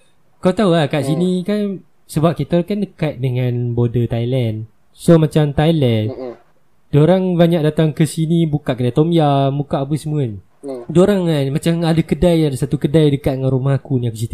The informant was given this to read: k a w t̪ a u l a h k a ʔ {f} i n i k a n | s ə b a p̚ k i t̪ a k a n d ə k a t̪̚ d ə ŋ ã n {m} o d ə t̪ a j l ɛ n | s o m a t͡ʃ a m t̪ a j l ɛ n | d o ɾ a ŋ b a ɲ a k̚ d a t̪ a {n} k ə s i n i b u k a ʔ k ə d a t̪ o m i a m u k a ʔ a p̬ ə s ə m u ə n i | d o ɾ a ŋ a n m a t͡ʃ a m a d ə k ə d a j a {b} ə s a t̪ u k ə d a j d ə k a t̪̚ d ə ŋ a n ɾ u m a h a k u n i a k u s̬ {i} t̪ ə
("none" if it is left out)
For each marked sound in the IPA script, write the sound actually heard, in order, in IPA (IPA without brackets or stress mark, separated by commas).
s, b, ŋ, d, i